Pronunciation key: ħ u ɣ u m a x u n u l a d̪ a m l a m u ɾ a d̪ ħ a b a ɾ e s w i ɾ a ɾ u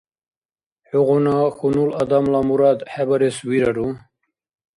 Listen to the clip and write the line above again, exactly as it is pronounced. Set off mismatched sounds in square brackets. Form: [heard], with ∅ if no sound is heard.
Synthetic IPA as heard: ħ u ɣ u [n] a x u n u l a d̪ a m l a m u ɾ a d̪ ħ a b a ɾ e s w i ɾ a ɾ u